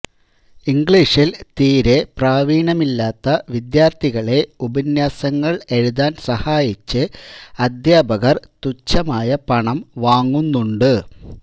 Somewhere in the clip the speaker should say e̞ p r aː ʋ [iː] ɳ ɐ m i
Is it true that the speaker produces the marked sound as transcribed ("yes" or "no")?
yes